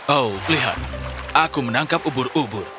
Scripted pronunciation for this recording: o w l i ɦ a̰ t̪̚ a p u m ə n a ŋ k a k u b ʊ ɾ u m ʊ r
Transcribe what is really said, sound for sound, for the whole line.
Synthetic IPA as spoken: o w l i ɦ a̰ t̪̚ a k u m ə n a ŋ k a p u b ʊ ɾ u b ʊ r